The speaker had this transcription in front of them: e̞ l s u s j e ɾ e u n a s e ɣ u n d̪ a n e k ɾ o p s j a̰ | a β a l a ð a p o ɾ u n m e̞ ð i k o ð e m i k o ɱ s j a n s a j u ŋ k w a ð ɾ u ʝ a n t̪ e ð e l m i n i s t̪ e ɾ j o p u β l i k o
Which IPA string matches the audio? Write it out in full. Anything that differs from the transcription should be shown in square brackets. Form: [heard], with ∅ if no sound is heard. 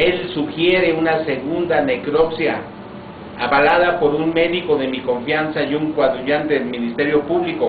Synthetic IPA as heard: e̞ l s u [x] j e ɾ e u n a s e ɣ u n d̪ a n e k ɾ o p s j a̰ | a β a l a ð a p o ɾ u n m e̞ ð i k o ð e m i k o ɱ [f] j a n s a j u ŋ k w a ð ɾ u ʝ a n t̪ e ð e l m i n i s t̪ e ɾ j o p u β l i k o